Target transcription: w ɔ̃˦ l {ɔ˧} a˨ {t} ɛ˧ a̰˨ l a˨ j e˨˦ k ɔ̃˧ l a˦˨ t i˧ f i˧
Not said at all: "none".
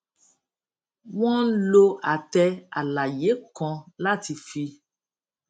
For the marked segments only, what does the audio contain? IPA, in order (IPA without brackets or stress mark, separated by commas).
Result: o˧, t